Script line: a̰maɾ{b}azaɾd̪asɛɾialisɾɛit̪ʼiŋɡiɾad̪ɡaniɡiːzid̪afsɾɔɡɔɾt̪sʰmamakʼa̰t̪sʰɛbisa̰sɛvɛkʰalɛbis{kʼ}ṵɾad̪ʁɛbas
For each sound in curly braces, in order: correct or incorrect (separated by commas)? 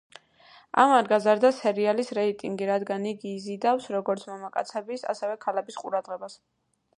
incorrect, incorrect